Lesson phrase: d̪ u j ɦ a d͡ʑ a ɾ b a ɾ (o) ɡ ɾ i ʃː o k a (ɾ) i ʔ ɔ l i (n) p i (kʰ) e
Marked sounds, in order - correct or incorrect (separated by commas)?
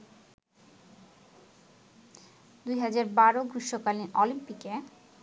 correct, incorrect, incorrect, incorrect